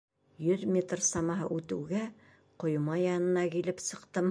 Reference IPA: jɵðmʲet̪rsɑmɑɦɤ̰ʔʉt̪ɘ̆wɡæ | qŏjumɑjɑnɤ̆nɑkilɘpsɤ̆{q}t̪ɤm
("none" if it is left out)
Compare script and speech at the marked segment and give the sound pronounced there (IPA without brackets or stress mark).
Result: q